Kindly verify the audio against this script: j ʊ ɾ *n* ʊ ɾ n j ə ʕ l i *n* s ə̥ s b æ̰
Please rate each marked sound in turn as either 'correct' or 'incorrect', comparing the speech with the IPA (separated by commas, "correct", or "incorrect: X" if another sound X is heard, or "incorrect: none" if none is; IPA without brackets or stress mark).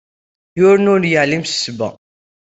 correct, incorrect: m